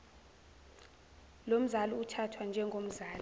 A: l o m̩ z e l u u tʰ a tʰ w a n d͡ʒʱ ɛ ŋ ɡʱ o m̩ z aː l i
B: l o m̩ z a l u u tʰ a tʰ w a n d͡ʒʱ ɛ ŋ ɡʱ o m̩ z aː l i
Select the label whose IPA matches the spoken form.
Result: B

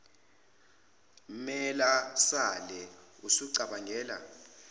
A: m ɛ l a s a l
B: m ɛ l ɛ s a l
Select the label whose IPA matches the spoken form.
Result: A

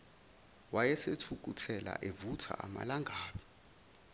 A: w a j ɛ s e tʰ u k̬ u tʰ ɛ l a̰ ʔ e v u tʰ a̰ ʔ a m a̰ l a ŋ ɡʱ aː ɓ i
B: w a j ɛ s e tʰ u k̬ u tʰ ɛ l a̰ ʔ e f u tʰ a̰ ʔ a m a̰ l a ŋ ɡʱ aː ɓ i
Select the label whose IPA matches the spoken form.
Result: A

